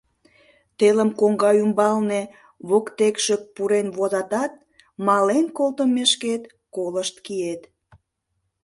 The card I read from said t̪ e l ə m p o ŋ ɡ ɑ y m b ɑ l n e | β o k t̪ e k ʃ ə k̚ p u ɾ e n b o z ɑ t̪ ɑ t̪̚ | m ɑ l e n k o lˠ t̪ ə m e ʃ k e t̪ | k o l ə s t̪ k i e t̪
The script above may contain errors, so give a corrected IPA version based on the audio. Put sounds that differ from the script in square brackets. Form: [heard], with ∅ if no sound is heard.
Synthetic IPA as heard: t̪ e l ə m [k] o ŋ ɡ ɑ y m b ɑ l n e | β o k t̪ e k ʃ ə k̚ p u ɾ e n [β] o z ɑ t̪ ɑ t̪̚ | m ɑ l e n k o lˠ t̪ ə m e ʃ k e t̪ | k o l ə [ʃ] t̪ k i e t̪